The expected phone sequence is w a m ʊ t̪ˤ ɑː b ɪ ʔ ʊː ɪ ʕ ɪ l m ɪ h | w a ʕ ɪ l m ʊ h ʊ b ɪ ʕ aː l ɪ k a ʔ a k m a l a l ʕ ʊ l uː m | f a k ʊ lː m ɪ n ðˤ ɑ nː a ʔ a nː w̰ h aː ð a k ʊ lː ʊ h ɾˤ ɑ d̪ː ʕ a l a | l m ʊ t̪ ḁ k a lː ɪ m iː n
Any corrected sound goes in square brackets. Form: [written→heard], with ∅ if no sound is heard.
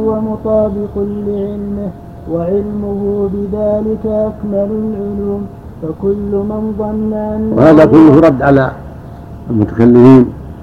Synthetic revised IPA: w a m ʊ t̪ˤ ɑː b ɪ [ʔ→q] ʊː ɪ ʕ ɪ l m ɪ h | w a ʕ ɪ l m ʊ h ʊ b ɪ [ʕ→ð] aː l ɪ k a ʔ a k m a l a l ʕ ʊ l uː m | f a k ʊ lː m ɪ n ðˤ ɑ nː a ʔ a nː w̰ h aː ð a k ʊ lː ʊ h ɾˤ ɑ d̪ː ʕ a l a | l m ʊ t̪ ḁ k a lː ɪ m iː n